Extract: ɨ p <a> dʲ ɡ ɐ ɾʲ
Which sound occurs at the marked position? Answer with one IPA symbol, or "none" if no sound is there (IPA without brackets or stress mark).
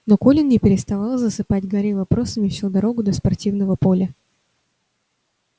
a